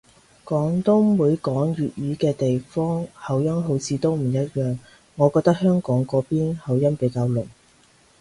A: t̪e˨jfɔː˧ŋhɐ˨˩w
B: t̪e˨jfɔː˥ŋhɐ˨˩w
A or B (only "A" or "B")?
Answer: B